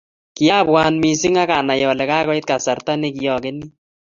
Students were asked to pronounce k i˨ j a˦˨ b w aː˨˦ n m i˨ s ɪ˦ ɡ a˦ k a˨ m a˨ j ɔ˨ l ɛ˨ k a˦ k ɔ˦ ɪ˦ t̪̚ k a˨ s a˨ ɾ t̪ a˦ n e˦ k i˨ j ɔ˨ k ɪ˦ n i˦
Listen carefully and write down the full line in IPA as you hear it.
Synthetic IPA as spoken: k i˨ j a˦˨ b w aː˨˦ n m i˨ s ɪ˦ ŋ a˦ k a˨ n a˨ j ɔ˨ l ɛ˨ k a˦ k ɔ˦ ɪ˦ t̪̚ k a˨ s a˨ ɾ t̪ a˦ n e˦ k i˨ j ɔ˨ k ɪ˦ n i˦